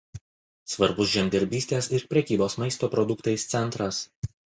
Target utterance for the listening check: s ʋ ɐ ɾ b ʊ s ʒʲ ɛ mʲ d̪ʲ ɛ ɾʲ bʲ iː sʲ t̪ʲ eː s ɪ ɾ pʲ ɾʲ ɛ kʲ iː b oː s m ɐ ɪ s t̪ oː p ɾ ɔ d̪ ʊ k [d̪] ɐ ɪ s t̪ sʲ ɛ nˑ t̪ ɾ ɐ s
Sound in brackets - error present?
yes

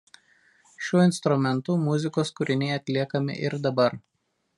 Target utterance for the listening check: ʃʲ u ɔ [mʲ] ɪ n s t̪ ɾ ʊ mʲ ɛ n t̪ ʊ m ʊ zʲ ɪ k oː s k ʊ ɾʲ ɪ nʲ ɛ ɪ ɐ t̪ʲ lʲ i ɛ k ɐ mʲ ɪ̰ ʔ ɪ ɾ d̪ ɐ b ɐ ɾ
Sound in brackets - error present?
yes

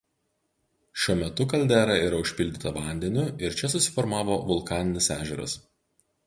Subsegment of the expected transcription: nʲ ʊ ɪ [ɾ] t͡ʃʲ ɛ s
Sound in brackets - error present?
no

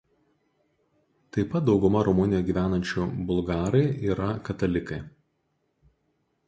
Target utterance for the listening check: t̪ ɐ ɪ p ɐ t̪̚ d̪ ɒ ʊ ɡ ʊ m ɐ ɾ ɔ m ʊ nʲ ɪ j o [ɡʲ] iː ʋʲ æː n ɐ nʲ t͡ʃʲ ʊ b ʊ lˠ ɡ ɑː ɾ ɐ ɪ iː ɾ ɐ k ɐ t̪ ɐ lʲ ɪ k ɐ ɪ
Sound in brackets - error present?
no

